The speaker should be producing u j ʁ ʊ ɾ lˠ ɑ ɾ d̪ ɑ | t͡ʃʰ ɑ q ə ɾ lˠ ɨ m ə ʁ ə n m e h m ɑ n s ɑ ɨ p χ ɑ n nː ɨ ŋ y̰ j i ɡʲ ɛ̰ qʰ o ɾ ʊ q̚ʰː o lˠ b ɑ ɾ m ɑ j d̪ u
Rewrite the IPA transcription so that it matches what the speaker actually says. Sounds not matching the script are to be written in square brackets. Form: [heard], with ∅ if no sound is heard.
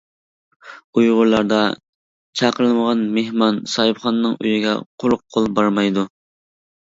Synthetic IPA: u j ʁ ʊ ɾ lˠ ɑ ɾ d̪ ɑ | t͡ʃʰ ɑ q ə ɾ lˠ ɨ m ə ʁ [ɑ] n m e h m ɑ n s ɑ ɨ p χ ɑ n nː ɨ ŋ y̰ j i ɡʲ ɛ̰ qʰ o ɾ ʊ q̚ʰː o lˠ b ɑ ɾ m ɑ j d̪ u